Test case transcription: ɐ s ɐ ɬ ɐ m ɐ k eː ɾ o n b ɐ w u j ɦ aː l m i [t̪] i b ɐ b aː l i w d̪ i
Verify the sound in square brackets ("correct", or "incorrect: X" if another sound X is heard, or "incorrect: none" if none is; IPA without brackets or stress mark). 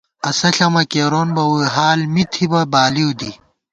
incorrect: t̪ʰ